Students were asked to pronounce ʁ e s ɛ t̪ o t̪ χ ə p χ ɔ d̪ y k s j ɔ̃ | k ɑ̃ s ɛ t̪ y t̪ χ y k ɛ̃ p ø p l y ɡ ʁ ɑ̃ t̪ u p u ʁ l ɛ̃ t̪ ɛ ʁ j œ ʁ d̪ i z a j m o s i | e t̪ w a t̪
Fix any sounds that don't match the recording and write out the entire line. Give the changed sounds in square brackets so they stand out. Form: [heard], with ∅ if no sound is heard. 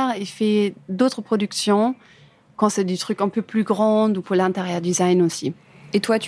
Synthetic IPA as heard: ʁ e [f] ɛ [d̪] o t̪ χ ə p χ ɔ d̪ y k s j ɔ̃ | k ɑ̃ s ɛ [d̪] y t̪ χ y k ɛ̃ p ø p l y ɡ ʁ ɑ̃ [d̪] u p u ʁ l ɛ̃ t̪ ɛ ʁ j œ ʁ d̪ i z a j [n] o s i | e t̪ w a t̪